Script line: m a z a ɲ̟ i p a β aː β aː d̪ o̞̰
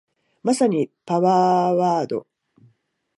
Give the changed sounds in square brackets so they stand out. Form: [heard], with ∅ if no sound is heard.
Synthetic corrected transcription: m a [s] a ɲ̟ i p a β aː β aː d̪ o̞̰